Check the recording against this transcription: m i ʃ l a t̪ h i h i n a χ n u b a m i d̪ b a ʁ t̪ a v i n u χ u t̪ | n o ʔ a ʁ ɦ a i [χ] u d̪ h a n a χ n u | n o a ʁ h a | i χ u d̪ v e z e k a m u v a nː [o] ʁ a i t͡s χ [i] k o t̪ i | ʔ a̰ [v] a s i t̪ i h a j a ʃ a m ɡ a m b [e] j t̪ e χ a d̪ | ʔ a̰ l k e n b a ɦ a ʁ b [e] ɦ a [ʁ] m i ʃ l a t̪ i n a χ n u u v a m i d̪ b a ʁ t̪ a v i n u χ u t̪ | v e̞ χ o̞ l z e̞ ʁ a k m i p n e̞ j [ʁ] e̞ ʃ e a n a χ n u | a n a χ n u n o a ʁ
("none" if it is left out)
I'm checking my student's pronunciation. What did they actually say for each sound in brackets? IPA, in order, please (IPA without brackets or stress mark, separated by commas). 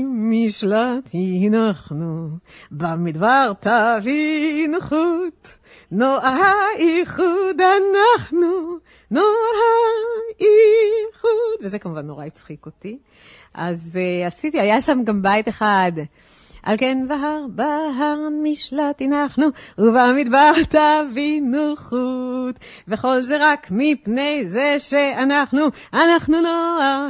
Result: χ, o, i, z, a, a, ʁ, z